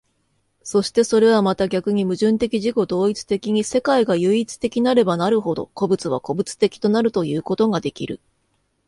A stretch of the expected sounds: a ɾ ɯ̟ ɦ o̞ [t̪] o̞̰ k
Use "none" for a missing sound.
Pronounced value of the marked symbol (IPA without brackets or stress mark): d̪